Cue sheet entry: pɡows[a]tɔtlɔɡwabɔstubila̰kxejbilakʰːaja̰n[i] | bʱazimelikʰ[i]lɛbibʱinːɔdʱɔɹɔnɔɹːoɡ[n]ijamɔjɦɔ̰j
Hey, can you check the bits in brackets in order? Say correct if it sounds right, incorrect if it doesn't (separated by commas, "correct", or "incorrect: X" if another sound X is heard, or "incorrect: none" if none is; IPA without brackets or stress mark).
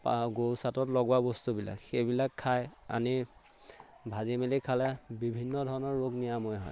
correct, correct, incorrect: a, correct